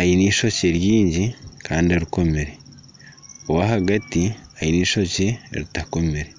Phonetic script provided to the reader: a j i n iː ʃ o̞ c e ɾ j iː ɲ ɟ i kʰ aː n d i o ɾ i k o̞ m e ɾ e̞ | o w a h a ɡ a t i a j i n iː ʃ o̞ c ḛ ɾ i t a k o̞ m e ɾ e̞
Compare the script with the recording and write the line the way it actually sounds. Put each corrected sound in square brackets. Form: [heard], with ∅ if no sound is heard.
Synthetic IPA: a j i n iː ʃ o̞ c e ɾ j iː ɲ ɟ i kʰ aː n d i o ɾ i k o̞ m e ɾ e̞ | o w a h a ɡ a t i a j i n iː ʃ o̞ c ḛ ɾ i t a k o̞ m e ɾ e̞